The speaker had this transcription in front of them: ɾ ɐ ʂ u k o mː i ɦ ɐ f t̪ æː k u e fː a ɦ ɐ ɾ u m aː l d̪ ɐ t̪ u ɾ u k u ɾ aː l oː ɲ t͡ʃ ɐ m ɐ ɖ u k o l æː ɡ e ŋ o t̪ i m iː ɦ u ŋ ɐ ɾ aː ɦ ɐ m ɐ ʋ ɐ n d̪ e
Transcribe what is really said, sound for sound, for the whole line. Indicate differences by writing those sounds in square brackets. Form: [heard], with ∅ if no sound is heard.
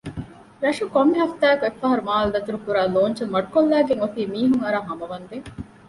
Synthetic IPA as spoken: ɾ ɐ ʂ u k o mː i ɦ ɐ f t̪ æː k u e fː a ɦ ɐ ɾ u m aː l d̪ ɐ t̪ u ɾ u k u ɾ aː l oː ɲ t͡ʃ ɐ m ɐ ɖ u k o [lː] æː ɡ e ŋ o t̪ [iː] m iː ɦ u ŋ ɐ ɾ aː ɦ ɐ m ɐ ʋ ɐ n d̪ e

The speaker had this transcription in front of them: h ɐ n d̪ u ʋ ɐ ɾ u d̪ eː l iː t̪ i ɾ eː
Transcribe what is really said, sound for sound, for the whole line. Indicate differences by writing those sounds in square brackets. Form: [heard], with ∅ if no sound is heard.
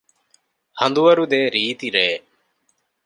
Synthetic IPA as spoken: h ɐ n d̪ u ʋ ɐ ɾ u d̪ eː [ɾ] iː t̪ i ɾ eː

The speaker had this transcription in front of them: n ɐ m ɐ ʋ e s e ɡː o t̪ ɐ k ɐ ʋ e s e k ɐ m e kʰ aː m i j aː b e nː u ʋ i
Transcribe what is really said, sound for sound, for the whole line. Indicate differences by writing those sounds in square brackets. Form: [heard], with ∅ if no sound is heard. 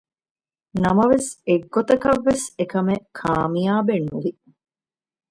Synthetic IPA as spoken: n ɐ m ɐ ʋ e s e ɡː o t̪ ɐ k ɐ [ʋː] e s e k ɐ m e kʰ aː m i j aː b e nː u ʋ i

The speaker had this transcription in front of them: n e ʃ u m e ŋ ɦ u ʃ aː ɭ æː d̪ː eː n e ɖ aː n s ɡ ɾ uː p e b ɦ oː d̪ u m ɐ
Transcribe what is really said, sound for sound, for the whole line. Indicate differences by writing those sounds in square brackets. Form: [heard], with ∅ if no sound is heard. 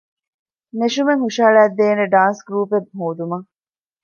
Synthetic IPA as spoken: n e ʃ u m e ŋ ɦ u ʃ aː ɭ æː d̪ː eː n e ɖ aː n s ɡ ɾ uː p e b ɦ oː d̪ u m ɐ

